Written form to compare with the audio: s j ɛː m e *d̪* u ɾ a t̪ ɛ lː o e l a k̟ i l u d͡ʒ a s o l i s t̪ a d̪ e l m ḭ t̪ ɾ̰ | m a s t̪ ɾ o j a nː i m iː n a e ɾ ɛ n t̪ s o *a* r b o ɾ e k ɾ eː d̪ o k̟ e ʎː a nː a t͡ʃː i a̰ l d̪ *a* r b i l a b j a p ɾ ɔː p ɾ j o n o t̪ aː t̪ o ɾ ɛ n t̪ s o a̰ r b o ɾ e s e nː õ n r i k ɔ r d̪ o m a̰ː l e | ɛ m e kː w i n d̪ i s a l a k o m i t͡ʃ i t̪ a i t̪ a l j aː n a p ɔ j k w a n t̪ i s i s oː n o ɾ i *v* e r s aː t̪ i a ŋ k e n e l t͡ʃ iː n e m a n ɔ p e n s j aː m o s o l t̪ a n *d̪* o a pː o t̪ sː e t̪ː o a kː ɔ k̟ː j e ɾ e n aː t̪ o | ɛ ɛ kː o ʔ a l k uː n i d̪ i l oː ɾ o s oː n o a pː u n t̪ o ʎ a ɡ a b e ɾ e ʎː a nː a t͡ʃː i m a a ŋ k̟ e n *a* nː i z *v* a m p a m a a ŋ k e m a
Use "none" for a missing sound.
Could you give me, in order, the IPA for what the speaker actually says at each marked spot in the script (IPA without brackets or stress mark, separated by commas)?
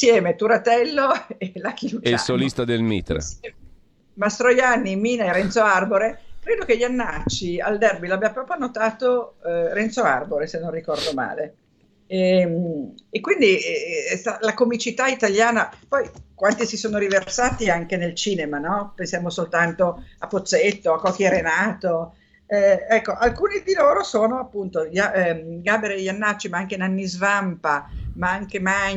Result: t̪, a, ɛ, v, t̪, a, v